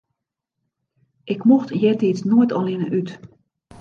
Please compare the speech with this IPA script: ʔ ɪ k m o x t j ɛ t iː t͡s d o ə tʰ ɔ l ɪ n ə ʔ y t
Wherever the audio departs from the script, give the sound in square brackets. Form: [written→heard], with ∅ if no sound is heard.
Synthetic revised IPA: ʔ ɪ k m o x t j ɛ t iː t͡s [d→n] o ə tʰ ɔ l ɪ n ə ʔ y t